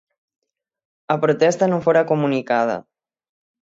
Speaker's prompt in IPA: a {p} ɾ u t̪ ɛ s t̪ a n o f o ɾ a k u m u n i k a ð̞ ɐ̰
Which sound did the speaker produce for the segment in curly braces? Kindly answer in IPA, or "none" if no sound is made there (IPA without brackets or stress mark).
p